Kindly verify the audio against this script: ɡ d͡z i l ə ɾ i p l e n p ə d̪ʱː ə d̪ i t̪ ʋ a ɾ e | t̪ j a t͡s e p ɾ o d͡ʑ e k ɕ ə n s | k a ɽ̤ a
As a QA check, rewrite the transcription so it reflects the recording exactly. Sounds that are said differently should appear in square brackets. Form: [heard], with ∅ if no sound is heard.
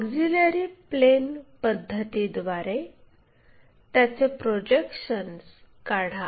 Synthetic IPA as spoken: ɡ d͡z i l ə ɾ i p l e n p ə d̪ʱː ə [t̪] i [d̪] ʋ a ɾ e | t̪ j a t͡s e p ɾ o d͡ʑ e k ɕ ə n s | k a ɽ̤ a